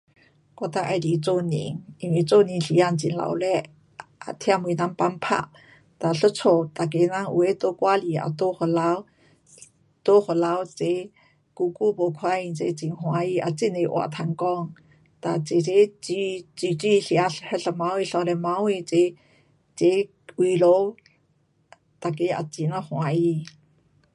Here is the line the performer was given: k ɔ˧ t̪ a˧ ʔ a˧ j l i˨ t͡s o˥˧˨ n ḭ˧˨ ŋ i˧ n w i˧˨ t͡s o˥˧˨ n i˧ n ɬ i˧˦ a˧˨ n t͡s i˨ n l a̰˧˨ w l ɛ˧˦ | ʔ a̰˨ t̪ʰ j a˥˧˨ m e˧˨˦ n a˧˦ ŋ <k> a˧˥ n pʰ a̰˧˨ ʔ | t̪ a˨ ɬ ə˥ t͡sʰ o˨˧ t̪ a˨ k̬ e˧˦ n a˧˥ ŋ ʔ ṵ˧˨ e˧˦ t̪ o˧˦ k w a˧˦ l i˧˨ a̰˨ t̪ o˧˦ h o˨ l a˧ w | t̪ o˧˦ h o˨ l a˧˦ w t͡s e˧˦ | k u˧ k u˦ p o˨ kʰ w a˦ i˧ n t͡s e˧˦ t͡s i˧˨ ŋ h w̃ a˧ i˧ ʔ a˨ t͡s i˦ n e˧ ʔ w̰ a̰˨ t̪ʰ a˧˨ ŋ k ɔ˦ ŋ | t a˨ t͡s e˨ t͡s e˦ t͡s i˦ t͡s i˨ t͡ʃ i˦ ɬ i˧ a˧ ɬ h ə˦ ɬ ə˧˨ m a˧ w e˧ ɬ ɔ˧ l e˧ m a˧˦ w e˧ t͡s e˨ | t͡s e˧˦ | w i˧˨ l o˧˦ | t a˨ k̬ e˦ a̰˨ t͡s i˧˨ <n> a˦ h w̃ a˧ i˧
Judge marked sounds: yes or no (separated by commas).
no, yes